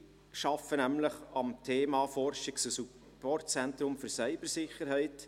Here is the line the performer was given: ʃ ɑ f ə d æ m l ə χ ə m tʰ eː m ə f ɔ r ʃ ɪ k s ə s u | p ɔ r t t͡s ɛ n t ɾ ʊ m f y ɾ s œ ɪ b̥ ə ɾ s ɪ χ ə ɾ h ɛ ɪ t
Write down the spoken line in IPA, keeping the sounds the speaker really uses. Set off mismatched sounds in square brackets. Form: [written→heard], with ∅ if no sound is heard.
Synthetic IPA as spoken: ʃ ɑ f ə [d→n] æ m l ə χ [ə→ɑ] m tʰ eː m [ə→ɑ] f ɔ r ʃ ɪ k s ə s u | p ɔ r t t͡s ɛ n t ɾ ʊ m f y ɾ s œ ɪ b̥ ə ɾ s ɪ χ ə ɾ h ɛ ɪ t